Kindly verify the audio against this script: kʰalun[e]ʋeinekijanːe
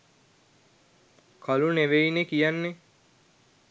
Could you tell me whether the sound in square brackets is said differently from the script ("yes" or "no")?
no